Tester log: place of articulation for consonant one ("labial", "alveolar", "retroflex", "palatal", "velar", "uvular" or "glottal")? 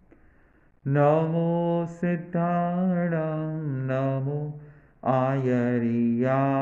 alveolar